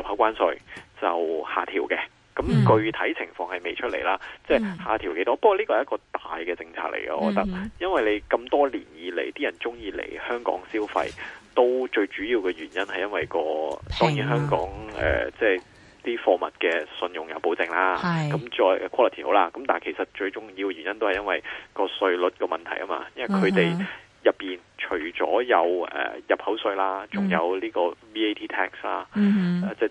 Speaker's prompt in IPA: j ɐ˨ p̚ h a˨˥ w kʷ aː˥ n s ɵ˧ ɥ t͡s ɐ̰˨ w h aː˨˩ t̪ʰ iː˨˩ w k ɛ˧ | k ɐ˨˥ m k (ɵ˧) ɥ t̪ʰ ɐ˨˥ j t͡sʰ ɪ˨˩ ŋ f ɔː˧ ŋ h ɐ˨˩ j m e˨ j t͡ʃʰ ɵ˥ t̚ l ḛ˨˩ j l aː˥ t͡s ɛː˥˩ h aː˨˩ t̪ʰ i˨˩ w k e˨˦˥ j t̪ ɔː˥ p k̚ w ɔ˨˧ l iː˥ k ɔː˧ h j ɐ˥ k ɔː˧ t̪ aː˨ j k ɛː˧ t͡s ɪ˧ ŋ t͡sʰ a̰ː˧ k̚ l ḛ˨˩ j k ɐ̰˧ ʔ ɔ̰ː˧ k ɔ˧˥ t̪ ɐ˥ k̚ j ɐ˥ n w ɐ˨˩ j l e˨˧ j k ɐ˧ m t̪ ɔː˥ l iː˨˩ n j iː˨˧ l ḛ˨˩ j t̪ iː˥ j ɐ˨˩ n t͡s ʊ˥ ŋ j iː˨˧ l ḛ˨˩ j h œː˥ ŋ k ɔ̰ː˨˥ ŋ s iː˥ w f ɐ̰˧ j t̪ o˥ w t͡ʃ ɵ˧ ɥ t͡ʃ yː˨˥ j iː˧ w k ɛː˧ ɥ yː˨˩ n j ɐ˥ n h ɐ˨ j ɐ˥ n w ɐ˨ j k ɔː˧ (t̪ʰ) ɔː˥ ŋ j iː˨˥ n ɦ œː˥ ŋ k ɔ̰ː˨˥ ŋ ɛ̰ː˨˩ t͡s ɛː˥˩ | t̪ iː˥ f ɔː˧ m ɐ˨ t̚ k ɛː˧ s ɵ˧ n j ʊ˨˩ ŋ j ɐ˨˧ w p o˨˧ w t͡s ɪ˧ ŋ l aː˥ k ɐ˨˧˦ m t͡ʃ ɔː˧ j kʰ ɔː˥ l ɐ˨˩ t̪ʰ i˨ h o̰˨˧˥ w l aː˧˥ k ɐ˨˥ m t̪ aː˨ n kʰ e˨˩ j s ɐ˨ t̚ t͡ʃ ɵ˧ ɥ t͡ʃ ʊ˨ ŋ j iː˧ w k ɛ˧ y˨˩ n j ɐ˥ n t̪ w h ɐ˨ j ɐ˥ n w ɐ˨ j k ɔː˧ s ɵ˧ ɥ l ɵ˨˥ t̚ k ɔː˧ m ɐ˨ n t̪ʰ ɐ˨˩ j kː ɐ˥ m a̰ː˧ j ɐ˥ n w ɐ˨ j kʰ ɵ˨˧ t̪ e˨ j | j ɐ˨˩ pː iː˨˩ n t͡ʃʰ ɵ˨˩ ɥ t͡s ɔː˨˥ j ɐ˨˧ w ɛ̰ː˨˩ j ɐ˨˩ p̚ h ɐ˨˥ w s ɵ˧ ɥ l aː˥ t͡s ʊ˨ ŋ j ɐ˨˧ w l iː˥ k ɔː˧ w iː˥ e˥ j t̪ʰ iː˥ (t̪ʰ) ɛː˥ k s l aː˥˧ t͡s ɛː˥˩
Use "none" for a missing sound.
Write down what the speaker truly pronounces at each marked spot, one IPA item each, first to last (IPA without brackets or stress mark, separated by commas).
ɵ˧, t̪, t̪ʰ